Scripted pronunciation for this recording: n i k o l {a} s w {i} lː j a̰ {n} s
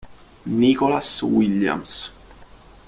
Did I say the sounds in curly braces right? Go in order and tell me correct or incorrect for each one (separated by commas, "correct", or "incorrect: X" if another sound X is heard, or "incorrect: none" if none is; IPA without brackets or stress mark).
correct, correct, incorrect: m